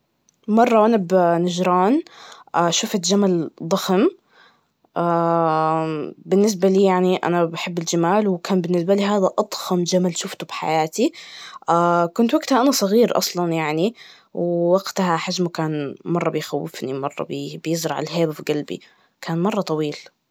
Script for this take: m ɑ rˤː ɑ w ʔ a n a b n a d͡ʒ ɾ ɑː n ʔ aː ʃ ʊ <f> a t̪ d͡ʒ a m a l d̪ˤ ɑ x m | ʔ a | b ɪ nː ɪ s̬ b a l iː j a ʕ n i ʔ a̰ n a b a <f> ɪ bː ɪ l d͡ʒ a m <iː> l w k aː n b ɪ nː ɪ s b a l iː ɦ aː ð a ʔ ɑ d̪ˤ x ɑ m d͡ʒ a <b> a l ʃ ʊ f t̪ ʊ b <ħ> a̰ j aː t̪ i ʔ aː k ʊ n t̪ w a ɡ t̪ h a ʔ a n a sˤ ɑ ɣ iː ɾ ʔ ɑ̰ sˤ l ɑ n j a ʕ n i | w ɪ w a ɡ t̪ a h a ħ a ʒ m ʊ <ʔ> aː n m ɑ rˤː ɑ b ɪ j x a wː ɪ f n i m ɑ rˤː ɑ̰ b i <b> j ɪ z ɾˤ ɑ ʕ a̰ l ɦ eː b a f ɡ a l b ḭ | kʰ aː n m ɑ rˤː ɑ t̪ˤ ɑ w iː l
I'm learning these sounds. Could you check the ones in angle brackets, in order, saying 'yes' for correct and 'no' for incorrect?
yes, no, no, no, yes, no, yes

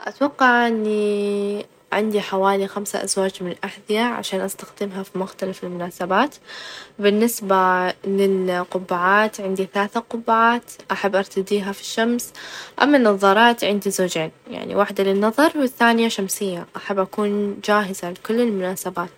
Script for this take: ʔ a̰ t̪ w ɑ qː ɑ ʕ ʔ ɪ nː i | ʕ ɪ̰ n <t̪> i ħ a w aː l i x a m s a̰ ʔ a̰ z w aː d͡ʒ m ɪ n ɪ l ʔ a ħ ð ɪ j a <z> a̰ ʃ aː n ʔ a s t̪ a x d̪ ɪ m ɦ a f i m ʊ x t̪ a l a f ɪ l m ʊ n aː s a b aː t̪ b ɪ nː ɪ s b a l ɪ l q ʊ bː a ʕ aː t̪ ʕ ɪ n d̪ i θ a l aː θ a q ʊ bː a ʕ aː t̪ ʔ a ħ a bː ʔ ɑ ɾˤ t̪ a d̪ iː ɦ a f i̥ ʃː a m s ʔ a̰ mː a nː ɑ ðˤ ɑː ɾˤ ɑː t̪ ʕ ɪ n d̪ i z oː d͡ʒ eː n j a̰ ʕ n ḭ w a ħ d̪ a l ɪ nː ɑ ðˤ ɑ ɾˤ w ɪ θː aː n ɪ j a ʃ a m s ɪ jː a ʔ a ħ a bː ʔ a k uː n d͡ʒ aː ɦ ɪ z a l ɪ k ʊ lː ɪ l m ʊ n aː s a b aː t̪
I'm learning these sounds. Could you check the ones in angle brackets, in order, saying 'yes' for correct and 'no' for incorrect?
no, no

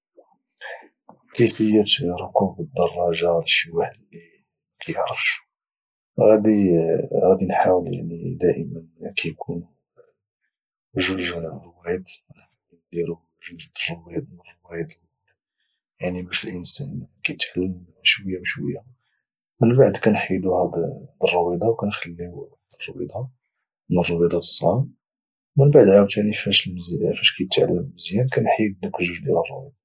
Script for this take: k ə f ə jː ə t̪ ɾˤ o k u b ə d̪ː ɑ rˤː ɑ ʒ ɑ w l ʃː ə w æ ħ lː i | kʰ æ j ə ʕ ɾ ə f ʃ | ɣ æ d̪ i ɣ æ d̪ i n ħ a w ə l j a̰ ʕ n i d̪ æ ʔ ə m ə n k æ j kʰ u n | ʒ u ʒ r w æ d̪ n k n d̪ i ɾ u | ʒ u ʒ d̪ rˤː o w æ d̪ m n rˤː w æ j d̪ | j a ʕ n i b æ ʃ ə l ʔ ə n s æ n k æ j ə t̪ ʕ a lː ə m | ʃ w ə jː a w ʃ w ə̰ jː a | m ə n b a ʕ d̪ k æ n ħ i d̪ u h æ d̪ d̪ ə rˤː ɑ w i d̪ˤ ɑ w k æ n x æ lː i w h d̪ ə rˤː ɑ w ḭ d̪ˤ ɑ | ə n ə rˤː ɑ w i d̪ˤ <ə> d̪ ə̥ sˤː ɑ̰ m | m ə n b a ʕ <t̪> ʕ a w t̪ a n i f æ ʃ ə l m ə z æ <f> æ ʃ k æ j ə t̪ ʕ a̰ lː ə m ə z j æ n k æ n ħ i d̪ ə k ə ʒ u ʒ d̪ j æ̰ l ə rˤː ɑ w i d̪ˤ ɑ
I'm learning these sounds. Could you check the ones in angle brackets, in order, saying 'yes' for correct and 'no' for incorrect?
no, no, yes

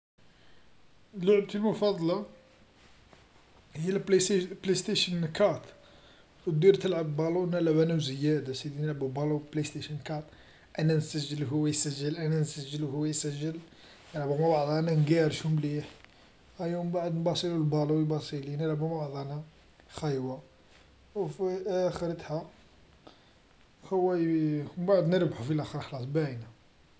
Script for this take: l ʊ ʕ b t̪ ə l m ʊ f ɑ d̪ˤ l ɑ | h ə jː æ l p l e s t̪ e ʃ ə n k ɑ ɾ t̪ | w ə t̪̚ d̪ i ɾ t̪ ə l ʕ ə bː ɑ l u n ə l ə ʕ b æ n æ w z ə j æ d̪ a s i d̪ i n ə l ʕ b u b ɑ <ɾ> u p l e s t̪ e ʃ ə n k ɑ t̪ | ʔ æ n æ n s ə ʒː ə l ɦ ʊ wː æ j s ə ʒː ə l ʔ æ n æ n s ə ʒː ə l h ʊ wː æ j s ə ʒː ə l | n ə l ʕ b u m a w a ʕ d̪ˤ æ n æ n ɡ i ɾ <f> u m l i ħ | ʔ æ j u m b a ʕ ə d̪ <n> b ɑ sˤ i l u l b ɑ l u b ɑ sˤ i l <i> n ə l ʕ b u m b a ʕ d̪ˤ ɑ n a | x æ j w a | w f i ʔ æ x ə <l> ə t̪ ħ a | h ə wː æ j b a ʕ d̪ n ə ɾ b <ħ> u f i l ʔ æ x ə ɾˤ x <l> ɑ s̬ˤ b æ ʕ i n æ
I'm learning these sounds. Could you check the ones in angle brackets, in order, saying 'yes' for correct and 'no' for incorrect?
no, no, yes, yes, no, yes, yes

